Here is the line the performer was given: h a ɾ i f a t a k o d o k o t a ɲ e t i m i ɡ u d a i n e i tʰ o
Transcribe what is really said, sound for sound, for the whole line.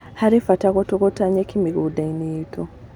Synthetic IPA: h a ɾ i f a t a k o t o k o t a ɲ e k i m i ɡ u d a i n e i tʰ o